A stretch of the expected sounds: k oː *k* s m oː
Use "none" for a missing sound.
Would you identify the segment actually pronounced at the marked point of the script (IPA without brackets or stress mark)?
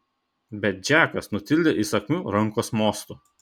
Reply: none